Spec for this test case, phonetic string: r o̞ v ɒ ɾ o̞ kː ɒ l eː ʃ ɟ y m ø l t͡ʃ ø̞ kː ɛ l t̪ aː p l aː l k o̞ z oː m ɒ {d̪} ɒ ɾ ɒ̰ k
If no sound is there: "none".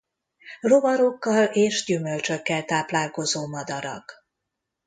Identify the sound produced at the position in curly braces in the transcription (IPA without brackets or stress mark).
d̪